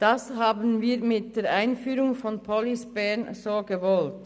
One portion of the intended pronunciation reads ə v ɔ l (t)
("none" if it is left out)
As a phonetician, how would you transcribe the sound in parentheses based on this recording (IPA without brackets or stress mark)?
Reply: t